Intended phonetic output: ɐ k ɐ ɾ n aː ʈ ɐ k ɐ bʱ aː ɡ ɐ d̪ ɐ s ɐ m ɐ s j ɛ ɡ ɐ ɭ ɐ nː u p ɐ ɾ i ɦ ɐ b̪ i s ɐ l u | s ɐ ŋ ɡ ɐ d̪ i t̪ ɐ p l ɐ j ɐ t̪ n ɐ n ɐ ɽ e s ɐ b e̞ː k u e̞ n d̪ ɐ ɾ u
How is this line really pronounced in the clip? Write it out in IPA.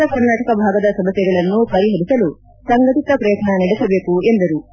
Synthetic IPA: ɐ k ɐ ɾ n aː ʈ ɐ k ɐ bʱ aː ɡ ɐ d̪ ɐ s ɐ m ɐ s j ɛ ɡ ɐ ɭ ɐ nː u p ɐ ɾ i ɦ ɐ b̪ i s ɐ l u | s ɐ ŋ ɡ ɐ t̪ i t̪ ɐ p ɾ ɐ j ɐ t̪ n ɐ n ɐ ɽ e s ɐ b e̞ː k u e̞ n d̪ ɐ ɾ u